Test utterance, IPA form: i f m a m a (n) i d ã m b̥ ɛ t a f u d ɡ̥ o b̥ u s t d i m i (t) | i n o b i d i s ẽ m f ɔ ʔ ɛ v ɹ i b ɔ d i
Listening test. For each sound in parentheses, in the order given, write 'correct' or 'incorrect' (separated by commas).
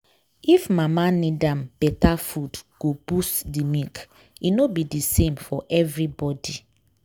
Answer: correct, incorrect